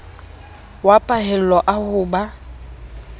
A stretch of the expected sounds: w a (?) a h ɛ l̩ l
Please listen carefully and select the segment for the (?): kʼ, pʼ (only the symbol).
pʼ